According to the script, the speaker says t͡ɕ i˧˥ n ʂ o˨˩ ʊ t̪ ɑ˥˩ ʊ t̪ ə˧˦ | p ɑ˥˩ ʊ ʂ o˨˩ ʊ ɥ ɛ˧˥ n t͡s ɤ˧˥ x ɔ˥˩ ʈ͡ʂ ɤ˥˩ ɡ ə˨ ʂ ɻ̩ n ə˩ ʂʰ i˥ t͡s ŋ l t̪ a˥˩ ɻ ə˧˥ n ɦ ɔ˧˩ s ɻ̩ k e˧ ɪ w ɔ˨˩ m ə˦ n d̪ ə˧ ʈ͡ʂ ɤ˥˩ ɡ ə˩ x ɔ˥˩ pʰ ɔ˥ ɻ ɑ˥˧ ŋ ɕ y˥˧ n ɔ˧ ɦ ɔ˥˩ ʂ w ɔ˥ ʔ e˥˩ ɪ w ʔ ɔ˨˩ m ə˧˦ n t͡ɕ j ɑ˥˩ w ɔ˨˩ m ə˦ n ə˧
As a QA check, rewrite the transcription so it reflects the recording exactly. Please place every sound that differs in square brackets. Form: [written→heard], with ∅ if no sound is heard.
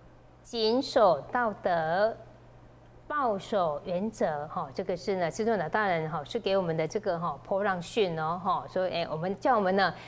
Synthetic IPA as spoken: t͡ɕ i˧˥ n ʂ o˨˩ ʊ t̪ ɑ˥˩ ʊ t̪ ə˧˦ | p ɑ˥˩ ʊ ʂ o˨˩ ʊ ɥ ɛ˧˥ n t͡s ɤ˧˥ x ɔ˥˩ ʈ͡ʂ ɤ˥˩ ɡ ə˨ ʂ ɻ̩ n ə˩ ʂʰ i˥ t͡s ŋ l t̪ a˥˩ ɻ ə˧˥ n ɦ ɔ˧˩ [s→ʂ] ɻ̩ k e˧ ɪ w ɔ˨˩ m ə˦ n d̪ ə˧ ʈ͡ʂ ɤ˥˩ ɡ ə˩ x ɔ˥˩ pʰ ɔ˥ ɻ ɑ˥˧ ŋ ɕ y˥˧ n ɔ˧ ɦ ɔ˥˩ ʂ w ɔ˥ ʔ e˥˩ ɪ w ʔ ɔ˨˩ m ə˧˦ n t͡ɕ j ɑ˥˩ w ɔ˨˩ m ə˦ n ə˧